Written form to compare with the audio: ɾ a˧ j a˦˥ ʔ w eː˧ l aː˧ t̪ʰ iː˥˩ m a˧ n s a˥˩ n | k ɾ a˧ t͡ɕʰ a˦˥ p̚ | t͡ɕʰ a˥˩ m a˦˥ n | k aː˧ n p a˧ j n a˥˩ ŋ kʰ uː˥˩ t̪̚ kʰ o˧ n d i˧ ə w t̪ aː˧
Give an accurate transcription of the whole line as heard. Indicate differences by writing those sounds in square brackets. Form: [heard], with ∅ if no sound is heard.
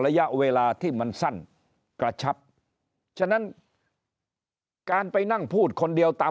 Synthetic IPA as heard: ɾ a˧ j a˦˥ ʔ w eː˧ l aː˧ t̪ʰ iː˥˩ m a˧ n s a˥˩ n | k ɾ a˧ t͡ɕʰ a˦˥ p̚ | t͡ɕʰ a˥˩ [n] a˦˥ n | k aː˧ n p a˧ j n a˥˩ ŋ [pʰ] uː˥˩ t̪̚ kʰ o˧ n d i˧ ə w t̪ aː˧